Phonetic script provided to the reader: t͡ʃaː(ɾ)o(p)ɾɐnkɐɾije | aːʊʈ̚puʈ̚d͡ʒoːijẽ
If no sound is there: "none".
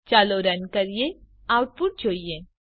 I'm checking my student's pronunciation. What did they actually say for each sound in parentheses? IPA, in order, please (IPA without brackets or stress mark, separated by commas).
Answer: l, none